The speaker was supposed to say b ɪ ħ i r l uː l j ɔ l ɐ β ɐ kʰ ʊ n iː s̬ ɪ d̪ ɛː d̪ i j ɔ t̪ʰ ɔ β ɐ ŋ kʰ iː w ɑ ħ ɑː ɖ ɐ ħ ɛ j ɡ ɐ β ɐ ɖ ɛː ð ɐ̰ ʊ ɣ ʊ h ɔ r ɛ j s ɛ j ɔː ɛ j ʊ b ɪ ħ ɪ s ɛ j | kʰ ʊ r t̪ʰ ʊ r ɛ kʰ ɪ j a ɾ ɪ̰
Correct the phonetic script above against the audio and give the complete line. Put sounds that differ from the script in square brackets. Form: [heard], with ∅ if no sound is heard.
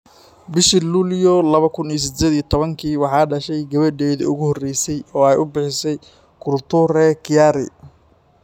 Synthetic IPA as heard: b ɪ [ʃ] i [∅] l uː l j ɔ l ɐ β ɐ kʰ ʊ n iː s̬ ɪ d̪ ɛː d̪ i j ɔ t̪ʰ ɔ β ɐ ŋ kʰ iː w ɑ ħ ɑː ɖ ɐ [ʃ] ɛ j ɡ ɐ β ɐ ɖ ɛː ð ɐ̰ ʊ ɣ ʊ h ɔ r ɛ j s ɛ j ɔː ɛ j ʊ b ɪ ħ ɪ s ɛ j | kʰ ʊ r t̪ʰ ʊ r ɛ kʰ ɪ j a ɾ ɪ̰